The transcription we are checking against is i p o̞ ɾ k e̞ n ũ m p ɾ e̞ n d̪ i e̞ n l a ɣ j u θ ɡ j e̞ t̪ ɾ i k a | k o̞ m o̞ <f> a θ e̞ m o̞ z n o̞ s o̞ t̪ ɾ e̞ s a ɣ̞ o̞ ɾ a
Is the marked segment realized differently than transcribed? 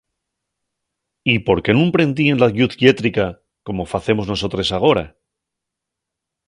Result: no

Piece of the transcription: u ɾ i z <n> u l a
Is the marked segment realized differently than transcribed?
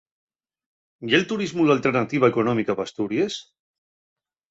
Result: yes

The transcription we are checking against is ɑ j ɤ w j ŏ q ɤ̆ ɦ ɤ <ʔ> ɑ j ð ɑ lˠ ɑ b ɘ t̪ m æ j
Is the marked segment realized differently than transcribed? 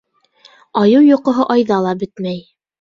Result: no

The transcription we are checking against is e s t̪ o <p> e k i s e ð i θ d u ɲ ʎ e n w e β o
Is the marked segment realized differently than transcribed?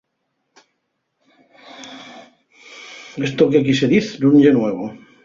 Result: yes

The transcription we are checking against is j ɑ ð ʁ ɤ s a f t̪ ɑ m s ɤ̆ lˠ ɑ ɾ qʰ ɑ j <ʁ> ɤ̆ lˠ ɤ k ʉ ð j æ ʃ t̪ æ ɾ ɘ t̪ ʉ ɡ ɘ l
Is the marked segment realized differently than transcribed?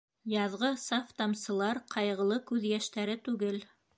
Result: no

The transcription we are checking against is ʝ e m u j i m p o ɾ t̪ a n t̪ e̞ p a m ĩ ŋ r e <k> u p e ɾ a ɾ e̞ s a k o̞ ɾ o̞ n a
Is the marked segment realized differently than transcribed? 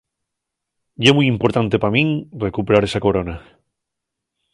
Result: no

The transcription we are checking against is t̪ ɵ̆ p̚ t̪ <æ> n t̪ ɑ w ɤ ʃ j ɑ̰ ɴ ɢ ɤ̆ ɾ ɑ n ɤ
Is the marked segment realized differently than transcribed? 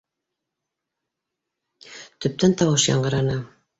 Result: no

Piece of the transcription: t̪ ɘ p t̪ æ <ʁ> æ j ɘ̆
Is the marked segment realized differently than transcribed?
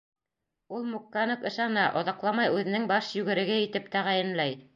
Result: no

